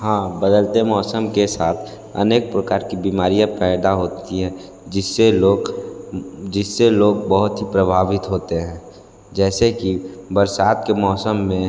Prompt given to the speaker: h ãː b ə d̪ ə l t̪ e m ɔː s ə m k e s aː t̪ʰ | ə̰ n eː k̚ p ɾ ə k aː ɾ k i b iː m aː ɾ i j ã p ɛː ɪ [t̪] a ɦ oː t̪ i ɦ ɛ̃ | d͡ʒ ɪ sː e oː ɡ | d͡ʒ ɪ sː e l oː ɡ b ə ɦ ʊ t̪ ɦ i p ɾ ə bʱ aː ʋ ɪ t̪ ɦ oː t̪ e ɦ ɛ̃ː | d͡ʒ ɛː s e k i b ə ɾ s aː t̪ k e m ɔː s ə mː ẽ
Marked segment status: incorrect: d̪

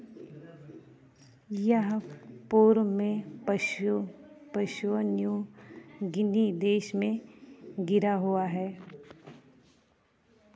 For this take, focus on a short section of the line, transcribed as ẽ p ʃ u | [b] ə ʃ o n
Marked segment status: incorrect: p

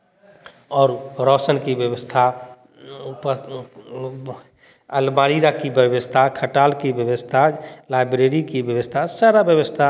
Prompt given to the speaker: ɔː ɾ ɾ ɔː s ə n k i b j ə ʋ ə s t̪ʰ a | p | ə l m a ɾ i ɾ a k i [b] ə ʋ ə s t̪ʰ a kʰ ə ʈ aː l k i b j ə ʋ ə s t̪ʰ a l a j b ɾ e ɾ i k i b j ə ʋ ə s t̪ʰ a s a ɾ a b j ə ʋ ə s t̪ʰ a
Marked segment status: correct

